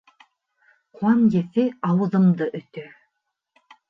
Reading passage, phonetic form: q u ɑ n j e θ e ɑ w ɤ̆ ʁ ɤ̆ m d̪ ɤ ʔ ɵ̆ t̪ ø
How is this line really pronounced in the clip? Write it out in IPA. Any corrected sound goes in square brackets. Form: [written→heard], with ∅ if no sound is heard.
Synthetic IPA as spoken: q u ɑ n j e θ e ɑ w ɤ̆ [ʁ→ð] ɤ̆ m d̪ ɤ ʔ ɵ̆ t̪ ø